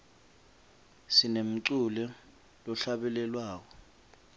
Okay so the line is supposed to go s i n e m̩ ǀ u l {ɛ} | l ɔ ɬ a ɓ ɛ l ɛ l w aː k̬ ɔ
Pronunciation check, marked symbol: correct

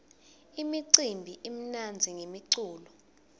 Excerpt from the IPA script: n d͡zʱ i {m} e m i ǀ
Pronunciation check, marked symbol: incorrect: ŋ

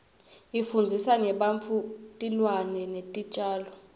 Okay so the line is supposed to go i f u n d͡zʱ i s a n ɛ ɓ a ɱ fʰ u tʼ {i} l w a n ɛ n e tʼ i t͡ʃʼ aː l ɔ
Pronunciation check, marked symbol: correct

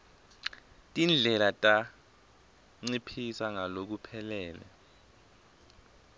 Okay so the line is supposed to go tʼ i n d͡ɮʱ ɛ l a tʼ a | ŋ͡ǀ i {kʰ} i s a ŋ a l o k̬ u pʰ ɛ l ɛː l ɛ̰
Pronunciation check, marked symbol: incorrect: pʰ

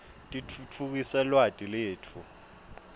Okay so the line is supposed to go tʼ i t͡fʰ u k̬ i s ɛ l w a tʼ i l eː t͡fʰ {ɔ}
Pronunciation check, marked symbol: incorrect: u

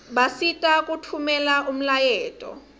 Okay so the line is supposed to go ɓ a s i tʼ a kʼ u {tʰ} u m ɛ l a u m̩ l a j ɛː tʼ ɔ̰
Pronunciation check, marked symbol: correct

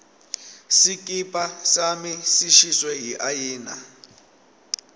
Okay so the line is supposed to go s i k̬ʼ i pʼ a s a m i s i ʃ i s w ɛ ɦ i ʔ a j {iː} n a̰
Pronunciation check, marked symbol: correct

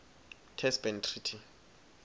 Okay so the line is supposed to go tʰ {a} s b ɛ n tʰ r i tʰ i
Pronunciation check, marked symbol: incorrect: ɛ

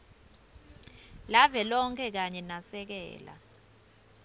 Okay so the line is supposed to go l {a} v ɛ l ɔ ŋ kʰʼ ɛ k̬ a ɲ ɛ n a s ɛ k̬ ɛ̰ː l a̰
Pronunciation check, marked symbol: correct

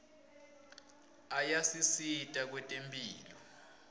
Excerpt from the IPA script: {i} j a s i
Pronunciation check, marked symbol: incorrect: a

